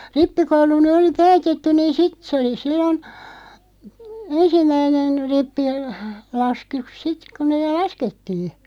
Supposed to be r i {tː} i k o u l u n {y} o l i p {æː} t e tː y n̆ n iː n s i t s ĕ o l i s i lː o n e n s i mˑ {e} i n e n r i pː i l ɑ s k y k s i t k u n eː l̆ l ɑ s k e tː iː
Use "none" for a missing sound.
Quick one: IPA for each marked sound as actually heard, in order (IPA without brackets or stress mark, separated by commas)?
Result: pː, y, æː, æ